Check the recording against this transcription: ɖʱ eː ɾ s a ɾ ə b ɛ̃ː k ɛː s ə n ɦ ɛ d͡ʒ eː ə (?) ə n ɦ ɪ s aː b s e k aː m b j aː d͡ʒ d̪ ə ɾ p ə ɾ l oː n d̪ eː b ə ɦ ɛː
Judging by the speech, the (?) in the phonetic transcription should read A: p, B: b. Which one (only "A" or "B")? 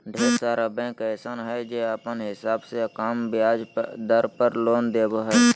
A